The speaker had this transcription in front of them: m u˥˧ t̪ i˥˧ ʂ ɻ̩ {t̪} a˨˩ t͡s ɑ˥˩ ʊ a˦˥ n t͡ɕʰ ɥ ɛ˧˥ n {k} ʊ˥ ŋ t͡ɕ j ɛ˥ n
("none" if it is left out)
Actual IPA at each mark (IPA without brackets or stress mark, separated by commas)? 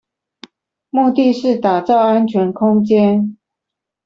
t̪, kʰ